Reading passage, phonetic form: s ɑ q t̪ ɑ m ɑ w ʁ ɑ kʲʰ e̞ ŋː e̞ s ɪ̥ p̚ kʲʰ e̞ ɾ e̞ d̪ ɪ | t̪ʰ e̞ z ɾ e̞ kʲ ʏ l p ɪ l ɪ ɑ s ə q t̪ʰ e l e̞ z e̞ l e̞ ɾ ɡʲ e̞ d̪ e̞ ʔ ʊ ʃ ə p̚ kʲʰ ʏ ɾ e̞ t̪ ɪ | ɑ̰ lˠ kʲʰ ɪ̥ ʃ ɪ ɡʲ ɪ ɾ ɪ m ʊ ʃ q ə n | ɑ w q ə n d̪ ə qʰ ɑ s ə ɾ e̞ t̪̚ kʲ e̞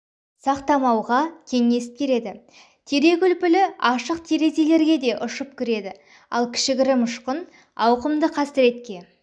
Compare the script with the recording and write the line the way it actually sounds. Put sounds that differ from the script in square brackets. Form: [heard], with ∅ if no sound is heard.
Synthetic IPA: s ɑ q t̪ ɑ m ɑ w ʁ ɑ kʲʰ e̞ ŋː e̞ s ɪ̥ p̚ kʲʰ e̞ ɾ e̞ d̪ ɪ | t̪ʰ e̞ [∅] ɾ e̞ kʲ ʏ l p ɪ l ɪ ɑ [ʃ] ə q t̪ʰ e [ɾ] e̞ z e̞ l e̞ ɾ ɡʲ e̞ d̪ e̞ ʔ ʊ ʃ ə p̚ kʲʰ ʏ ɾ e̞ [d̪] ɪ | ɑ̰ lˠ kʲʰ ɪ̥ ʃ ɪ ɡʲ ɪ ɾ ɪ m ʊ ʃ q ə n | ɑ w q ə [m] d̪ ə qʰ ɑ s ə ɾ e̞ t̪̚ kʲ e̞